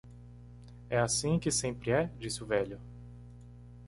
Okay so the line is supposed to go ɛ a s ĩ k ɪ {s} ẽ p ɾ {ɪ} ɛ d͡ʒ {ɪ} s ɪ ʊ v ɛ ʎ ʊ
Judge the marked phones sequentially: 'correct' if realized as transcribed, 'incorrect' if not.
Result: correct, correct, incorrect: i

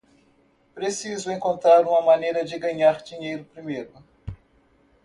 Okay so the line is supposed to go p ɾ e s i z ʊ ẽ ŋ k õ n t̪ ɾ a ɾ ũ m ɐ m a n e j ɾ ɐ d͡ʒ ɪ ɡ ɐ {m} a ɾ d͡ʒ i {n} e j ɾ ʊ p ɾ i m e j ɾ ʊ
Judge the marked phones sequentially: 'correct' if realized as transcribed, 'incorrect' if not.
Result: incorrect: ɲ, incorrect: ɲ

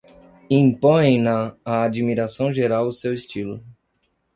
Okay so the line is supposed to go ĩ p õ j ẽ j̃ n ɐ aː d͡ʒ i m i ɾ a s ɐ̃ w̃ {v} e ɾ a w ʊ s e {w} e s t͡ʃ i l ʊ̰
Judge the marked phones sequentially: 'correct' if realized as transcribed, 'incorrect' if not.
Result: incorrect: ʒ, correct

